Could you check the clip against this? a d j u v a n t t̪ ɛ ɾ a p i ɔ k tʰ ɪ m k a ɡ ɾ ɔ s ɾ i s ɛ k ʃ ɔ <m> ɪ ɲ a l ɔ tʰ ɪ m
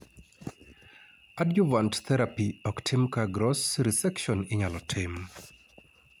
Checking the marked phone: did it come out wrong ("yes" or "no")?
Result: yes